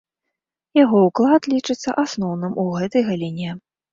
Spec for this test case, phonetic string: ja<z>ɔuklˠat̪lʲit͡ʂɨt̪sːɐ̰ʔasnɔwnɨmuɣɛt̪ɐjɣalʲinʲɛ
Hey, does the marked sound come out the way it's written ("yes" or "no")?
no